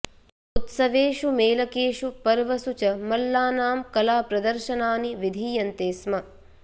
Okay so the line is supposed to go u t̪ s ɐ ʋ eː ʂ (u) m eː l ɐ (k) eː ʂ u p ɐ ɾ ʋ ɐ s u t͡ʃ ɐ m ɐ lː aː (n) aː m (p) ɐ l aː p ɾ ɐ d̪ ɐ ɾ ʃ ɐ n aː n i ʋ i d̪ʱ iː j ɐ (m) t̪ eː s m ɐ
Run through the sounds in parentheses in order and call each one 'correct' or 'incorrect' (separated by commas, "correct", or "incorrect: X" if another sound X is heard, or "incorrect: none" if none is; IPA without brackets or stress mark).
correct, correct, correct, incorrect: k, incorrect: n